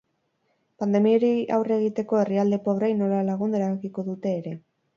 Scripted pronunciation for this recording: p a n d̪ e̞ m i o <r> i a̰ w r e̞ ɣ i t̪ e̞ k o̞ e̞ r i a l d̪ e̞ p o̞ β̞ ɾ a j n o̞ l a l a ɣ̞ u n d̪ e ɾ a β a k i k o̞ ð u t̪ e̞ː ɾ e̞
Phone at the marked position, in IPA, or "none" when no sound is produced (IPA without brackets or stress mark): ɾ